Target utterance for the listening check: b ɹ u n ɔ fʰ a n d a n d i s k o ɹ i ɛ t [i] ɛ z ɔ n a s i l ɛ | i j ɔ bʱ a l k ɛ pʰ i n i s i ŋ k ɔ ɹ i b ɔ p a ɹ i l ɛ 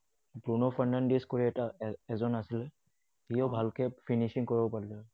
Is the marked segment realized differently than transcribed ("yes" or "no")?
yes